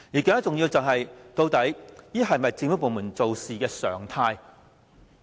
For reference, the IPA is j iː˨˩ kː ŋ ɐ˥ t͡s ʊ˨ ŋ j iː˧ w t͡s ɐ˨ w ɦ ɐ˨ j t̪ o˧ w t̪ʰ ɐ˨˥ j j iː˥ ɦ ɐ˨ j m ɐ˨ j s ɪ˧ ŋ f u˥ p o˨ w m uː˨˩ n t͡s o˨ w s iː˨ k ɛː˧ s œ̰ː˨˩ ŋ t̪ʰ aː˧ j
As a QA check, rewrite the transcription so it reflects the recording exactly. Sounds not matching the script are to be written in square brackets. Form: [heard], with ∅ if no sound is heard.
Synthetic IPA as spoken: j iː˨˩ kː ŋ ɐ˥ t͡s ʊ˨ ŋ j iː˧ w t͡s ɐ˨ w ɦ ɐ˨ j t̪ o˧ w [t̪] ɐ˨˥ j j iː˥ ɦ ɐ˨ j m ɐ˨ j [t͡s] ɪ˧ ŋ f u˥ p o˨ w m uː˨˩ n t͡s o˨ w s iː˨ k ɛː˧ s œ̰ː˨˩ ŋ t̪ʰ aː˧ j